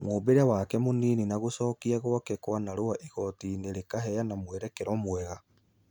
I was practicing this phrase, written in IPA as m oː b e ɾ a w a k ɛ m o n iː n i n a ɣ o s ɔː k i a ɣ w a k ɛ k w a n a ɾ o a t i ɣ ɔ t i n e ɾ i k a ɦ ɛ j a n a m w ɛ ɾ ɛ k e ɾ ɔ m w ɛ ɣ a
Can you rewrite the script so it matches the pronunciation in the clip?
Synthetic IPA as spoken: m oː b e ɾ a w a k ɛ m o n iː n i n a ɣ o s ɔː k i a ɣ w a k ɛ k w a n a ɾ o a ʔ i ɣ ɔ t i n e ɾ e k a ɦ ɛ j a n a m w ɛ ɾ ɛ k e ɾ ɔ m w ɛ ɣ a